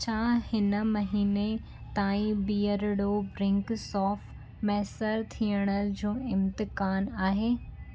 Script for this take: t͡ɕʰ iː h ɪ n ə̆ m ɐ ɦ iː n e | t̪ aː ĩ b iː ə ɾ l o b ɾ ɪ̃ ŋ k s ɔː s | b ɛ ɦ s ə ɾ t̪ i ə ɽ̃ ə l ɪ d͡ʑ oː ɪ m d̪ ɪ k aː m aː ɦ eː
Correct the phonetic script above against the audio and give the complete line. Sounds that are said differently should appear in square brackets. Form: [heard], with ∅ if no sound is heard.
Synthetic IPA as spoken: t͡ɕʰ [aː] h ɪ n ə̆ m ɐ ɦ iː n e | t̪ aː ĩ b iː ə ɾ [ɽ] o b ɾ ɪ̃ ŋ k s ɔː [f] | [m] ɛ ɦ s ə ɾ [t̪ʰ] i ə ɽ̃ ə l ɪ d͡ʑ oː ɪ m [t̪] ɪ k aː [n] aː ɦ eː